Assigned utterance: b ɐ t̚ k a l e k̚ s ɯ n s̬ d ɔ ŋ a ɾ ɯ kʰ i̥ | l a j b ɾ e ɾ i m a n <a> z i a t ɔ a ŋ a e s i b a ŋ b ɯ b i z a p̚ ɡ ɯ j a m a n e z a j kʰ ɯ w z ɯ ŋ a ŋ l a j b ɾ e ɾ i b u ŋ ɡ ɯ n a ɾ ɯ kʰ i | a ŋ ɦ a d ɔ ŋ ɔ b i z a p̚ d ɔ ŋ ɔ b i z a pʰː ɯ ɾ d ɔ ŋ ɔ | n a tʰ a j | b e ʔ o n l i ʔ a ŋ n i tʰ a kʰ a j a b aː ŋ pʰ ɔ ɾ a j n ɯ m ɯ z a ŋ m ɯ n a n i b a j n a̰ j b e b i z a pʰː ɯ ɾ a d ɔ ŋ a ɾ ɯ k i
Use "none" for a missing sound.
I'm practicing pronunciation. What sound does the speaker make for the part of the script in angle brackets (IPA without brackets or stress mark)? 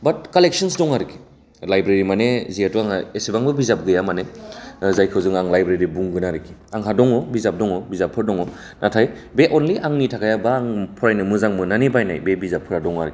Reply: e